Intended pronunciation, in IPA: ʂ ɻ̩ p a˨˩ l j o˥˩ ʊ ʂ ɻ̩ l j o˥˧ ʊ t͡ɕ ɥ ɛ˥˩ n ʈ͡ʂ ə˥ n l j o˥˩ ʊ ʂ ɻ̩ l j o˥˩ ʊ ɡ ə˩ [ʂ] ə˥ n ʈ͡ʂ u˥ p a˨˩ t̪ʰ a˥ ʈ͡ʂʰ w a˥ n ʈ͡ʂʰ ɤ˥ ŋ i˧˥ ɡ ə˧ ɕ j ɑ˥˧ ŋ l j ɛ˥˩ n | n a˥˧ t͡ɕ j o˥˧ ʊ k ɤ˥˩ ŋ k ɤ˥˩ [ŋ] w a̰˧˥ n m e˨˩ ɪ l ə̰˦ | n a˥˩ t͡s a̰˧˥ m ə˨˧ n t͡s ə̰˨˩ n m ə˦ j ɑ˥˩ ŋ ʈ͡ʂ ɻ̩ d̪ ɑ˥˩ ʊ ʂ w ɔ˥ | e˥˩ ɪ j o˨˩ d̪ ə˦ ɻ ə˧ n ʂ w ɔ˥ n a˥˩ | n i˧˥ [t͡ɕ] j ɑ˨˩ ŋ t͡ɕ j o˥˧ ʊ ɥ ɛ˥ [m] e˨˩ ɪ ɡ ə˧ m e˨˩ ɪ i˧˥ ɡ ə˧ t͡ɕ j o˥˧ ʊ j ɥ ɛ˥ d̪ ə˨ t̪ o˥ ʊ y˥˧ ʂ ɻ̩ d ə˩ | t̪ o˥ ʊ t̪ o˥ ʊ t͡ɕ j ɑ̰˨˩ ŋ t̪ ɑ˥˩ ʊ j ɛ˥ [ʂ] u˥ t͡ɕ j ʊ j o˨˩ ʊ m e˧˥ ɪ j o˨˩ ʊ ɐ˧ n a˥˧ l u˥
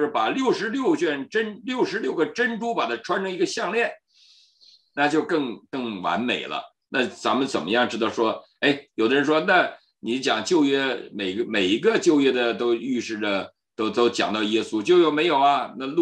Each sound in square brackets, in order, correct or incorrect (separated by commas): incorrect, correct, correct, correct, incorrect